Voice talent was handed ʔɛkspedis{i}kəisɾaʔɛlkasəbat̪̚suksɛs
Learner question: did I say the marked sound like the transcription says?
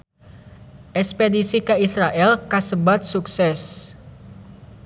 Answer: yes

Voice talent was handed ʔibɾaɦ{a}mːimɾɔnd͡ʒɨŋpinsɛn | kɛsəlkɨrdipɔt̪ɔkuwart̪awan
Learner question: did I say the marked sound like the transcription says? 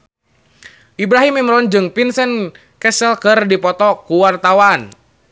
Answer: no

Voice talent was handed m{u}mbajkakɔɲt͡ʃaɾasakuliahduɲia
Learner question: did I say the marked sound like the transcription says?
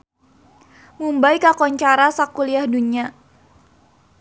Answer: yes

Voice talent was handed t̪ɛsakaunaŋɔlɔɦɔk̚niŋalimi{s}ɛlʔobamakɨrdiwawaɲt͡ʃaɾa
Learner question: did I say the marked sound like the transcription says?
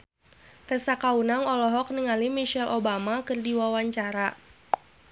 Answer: no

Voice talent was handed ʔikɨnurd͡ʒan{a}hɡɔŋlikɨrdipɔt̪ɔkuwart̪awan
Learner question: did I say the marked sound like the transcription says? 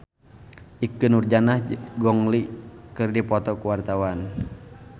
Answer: yes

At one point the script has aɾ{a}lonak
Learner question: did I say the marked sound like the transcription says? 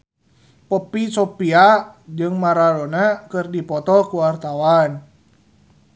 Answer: yes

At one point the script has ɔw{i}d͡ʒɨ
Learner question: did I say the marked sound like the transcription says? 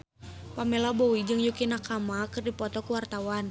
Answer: yes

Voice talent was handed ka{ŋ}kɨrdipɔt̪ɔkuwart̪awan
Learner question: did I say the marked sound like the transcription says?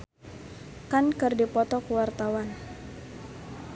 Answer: no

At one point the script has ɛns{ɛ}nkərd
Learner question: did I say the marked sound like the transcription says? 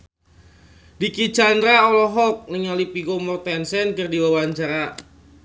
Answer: yes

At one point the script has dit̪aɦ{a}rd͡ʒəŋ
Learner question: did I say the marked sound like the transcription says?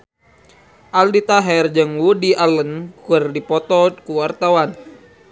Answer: no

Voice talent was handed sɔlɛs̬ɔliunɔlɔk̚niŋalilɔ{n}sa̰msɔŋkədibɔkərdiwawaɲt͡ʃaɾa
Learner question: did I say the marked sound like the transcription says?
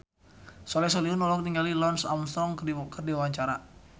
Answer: yes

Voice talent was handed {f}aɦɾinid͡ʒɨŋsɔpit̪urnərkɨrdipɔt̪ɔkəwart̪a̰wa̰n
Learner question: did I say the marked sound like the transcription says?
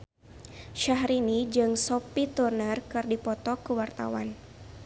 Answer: no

